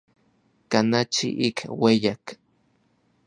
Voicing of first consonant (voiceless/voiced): voiceless